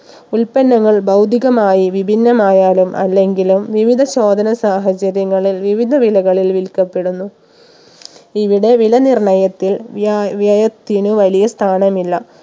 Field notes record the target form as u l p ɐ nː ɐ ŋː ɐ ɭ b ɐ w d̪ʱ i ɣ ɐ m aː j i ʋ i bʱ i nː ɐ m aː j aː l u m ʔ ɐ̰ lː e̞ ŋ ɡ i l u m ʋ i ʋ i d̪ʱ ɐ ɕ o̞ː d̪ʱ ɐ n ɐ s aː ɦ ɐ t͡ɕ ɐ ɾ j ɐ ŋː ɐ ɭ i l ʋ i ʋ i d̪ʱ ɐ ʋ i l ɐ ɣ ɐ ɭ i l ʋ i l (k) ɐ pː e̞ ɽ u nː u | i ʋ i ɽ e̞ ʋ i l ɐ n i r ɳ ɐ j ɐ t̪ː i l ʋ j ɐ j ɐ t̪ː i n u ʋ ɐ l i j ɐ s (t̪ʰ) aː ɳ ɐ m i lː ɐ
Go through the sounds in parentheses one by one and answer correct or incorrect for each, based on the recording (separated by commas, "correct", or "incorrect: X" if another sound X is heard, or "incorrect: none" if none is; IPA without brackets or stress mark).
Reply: correct, correct